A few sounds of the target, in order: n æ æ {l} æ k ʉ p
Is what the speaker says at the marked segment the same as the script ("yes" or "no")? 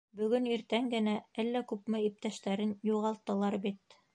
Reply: no